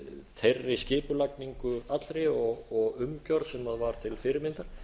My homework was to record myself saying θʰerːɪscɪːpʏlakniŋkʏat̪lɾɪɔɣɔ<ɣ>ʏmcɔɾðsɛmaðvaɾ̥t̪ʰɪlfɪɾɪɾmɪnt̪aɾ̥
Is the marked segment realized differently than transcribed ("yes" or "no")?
no